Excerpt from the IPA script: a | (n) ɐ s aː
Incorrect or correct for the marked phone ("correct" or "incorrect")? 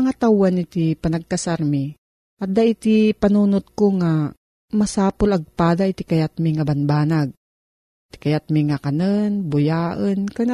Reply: incorrect